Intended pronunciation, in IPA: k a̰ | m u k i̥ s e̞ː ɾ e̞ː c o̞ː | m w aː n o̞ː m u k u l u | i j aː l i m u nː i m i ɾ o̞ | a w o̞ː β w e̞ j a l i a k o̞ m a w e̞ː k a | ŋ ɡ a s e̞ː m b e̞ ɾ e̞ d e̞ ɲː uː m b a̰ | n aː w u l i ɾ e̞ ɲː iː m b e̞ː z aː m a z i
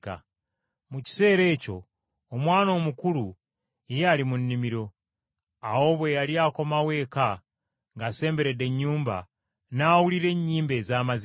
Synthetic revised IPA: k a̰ | m u c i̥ s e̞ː ɾ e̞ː c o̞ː | m w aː n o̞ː m u k u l u | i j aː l i m u nː i m i ɾ o̞ | a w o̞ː β w e̞ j a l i a k o̞ m a w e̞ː k a | ŋ ɡ a s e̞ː m b e̞ ɾ e̞ d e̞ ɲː uː m b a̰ | n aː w u l i ɾ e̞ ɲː iː m b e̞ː z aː m a z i